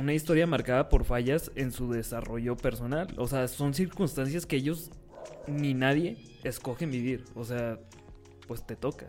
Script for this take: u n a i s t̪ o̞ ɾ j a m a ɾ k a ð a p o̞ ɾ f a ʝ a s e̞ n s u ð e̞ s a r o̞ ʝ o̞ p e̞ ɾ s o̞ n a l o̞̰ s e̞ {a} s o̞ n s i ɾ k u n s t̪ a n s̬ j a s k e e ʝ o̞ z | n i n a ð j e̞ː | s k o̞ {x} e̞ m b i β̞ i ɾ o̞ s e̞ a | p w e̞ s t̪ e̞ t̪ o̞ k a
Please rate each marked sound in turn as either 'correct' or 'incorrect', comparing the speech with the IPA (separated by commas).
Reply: correct, correct